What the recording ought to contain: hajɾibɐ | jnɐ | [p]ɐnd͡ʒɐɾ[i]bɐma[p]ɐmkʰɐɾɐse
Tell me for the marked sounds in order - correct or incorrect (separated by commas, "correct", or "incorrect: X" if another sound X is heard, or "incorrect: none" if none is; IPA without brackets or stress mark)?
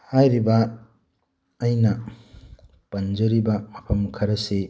correct, correct, incorrect: pʰ